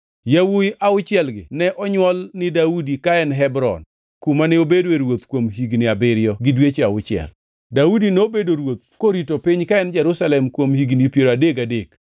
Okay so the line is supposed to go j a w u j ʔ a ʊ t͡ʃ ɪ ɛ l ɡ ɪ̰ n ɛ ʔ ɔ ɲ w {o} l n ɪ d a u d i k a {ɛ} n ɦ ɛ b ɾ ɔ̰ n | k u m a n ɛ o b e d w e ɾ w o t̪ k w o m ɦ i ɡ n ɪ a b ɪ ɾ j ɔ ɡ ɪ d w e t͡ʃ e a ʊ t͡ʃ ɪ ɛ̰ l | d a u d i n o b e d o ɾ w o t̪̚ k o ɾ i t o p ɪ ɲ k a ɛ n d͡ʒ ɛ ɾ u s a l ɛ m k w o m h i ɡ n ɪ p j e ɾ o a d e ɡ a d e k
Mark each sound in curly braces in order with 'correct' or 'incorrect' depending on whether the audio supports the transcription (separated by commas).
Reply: incorrect, correct